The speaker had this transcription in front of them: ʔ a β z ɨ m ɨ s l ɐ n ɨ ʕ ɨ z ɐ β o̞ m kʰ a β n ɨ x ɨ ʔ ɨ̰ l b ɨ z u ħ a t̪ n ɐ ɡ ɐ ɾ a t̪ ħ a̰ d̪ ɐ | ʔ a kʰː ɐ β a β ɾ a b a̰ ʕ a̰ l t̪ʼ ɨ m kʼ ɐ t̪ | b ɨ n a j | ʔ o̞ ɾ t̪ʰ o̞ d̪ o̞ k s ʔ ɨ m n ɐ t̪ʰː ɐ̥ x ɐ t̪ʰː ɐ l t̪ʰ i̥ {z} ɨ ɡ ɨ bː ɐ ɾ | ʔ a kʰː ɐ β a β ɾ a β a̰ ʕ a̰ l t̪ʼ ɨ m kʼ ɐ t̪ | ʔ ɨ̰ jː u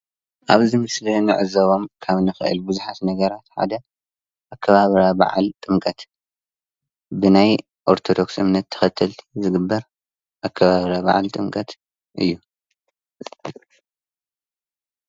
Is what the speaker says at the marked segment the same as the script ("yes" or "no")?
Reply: yes